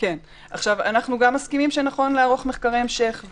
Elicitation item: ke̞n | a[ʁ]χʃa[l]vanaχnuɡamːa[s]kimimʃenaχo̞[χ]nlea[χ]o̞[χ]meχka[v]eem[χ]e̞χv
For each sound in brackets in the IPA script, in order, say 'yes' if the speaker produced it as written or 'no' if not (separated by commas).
no, no, yes, no, no, yes, no, no